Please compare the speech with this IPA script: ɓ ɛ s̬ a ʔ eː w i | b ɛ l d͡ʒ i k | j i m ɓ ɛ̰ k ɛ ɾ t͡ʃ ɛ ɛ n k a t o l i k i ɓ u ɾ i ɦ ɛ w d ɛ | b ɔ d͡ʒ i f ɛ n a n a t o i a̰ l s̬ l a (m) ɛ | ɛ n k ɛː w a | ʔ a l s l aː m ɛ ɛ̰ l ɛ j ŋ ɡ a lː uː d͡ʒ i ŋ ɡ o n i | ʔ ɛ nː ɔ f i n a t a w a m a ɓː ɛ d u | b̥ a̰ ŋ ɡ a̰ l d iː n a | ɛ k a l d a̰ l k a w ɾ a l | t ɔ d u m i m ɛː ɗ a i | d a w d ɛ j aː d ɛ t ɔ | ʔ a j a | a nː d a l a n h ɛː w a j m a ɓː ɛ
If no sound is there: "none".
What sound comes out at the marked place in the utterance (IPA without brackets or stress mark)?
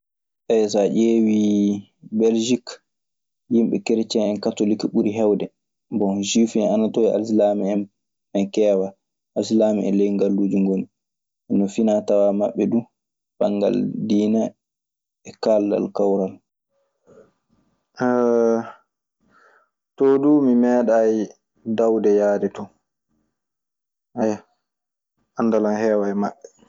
m